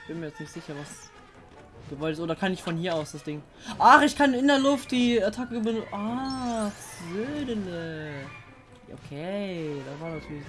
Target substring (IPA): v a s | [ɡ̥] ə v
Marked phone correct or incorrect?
correct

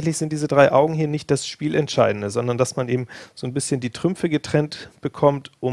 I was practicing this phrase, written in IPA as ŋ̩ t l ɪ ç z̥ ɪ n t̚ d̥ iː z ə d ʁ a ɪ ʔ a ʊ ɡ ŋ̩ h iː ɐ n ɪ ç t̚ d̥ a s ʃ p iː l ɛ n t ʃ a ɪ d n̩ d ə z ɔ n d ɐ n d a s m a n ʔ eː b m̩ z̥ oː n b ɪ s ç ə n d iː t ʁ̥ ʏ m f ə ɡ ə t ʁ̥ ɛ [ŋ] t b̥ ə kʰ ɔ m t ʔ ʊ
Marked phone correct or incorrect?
incorrect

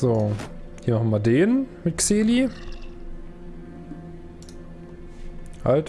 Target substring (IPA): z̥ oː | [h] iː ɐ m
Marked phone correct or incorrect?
correct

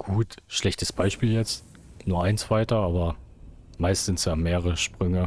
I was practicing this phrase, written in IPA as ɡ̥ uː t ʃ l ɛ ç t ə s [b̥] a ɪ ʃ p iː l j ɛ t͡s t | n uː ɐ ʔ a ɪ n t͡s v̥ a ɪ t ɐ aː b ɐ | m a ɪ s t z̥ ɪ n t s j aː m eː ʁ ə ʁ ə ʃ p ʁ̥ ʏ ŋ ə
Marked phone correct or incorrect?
correct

